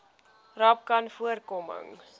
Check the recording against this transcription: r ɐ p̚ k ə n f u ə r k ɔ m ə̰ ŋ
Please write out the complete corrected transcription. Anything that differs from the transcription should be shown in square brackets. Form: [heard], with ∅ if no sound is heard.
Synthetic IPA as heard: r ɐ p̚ k [ɐ] n f u ə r k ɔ m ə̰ ŋ